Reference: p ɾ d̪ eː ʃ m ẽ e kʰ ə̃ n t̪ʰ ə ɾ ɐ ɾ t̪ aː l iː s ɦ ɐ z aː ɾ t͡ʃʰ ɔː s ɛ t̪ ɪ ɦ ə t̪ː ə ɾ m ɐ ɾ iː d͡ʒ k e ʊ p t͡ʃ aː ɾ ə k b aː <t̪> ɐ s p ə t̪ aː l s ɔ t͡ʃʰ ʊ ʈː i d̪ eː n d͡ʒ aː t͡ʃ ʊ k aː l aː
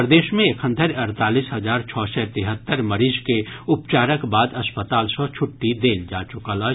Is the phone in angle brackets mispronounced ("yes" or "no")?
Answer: yes